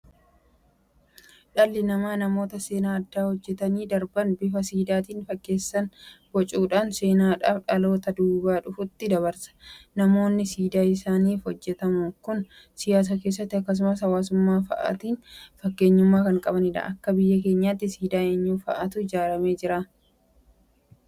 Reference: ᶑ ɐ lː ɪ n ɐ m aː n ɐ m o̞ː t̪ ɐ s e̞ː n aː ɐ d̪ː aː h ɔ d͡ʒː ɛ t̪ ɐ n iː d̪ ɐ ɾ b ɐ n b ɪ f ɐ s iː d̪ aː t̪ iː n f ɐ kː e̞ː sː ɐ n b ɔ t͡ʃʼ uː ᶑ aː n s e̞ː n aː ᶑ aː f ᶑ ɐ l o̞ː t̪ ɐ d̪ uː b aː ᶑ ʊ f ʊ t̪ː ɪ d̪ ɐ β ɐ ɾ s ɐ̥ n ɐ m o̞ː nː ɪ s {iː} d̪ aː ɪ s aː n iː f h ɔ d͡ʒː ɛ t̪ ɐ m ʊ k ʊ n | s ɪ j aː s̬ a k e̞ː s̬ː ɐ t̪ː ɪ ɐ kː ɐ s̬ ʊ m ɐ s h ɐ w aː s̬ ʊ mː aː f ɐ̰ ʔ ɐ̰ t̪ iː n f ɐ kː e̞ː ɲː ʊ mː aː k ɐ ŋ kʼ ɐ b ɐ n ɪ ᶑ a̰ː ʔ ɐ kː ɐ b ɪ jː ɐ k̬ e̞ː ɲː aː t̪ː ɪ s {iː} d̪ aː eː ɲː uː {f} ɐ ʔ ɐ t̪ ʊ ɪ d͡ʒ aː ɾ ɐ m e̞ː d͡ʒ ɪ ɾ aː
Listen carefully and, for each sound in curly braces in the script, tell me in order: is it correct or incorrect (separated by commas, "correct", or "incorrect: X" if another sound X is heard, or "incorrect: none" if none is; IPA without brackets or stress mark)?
correct, correct, correct